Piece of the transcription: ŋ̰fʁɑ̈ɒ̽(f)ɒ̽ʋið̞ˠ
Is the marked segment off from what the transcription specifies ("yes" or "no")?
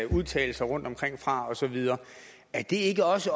yes